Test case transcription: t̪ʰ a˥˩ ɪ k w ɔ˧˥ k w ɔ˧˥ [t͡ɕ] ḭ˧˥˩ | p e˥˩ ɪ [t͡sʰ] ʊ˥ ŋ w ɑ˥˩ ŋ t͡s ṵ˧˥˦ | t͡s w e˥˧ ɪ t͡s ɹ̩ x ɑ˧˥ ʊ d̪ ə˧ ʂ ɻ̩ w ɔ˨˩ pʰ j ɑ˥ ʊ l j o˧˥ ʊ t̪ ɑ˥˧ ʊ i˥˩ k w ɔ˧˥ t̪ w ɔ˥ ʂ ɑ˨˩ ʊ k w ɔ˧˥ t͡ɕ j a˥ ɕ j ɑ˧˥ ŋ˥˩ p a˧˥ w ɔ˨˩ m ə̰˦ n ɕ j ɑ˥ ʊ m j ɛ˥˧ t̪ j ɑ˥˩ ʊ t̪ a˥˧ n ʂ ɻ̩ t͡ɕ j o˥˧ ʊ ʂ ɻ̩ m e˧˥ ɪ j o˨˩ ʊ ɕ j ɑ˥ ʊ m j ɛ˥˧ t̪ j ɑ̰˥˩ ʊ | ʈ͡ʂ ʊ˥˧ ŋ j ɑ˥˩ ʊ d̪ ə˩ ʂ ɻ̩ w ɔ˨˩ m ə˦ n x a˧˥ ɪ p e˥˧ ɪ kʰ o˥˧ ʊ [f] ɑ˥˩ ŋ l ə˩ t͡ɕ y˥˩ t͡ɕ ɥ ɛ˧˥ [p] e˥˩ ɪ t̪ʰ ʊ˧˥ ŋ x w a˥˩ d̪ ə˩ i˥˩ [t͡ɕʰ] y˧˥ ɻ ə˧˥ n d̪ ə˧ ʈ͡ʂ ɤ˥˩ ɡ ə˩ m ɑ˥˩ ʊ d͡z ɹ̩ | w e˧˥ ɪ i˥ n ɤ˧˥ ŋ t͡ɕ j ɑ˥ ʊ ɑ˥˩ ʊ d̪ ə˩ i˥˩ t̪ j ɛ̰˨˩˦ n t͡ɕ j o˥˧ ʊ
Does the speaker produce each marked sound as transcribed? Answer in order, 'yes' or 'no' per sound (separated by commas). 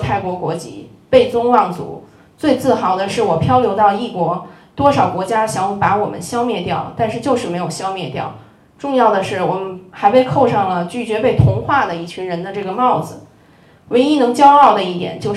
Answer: yes, no, no, yes, yes